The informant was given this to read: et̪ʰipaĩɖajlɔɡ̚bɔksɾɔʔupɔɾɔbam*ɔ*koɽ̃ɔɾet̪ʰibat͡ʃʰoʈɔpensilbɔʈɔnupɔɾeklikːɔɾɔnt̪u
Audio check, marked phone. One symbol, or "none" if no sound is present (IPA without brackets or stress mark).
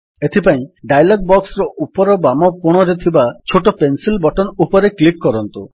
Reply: ɔ